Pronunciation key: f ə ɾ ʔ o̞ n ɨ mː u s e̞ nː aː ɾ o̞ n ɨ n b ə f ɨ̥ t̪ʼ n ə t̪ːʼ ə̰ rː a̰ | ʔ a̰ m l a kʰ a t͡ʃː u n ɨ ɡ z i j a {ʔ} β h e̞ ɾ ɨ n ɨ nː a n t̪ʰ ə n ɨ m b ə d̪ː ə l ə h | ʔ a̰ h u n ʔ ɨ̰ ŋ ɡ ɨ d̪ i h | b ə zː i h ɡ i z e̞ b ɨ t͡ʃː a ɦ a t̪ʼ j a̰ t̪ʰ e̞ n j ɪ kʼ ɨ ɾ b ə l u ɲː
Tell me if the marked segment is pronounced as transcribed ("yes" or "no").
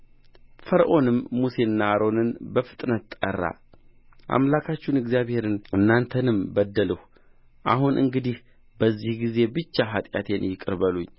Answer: no